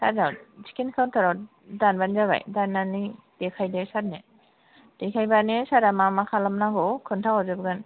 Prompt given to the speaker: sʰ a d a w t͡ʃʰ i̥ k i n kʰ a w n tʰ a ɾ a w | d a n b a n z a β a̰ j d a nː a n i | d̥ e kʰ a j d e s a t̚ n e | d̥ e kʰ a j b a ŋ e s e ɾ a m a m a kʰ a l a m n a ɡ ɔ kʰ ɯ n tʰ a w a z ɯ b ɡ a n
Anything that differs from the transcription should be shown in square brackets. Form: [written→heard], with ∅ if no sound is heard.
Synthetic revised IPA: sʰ a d a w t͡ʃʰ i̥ k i n kʰ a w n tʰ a ɾ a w | d a n b a n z a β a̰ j d a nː a n i | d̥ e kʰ a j d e s a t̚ n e | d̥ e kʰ a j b a [ŋ→n] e s [e→a] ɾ a m a m a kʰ a l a m n a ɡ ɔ kʰ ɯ n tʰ a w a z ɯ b ɡ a n